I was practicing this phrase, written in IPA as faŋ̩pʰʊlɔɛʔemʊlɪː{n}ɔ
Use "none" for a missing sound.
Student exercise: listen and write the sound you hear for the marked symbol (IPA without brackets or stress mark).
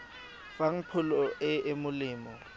m